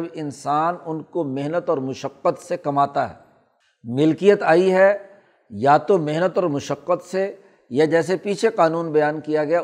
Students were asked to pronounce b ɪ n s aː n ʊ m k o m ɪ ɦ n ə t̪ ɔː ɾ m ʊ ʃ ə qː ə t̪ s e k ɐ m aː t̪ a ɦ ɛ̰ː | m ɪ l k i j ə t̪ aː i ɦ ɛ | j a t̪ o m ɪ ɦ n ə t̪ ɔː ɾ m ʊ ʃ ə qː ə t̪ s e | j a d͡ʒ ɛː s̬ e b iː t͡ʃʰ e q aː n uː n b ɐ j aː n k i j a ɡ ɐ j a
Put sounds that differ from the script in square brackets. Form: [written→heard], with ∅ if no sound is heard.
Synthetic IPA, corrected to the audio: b ɪ n s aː n ʊ [m→n] k o m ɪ ɦ n ə t̪ ɔː ɾ m ʊ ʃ ə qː ə t̪ s e k ɐ m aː t̪ a ɦ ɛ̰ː | m ɪ l k i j ə t̪ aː i ɦ ɛ | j a t̪ o m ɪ ɦ n ə t̪ ɔː ɾ m ʊ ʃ ə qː ə t̪ s e | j a d͡ʒ ɛː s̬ e [b→p] iː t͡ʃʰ e q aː n uː n b ɐ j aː n k i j a ɡ ɐ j a